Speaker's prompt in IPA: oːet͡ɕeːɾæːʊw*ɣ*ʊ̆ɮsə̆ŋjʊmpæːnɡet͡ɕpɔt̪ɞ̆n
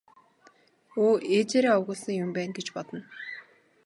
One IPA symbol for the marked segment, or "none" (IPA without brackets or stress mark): ɣ